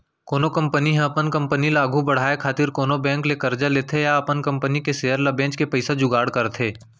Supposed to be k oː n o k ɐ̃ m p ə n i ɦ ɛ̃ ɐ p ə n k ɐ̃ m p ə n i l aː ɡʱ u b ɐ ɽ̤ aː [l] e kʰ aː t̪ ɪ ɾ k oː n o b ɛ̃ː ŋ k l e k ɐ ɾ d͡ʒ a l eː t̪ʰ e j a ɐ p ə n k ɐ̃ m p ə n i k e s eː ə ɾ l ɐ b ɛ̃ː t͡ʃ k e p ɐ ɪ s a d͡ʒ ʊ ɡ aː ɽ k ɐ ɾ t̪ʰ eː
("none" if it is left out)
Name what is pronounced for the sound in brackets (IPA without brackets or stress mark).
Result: none